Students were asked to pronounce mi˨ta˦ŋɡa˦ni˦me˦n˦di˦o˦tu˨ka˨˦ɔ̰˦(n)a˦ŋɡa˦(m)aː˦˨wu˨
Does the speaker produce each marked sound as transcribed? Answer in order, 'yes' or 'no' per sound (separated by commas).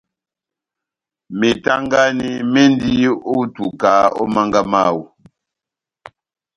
no, yes